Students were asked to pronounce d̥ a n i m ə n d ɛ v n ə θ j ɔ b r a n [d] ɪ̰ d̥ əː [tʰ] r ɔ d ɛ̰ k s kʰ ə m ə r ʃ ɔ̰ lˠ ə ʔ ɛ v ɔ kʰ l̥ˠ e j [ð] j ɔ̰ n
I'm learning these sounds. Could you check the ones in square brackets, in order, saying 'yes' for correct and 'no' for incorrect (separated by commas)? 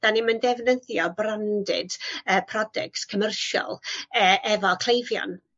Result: yes, no, no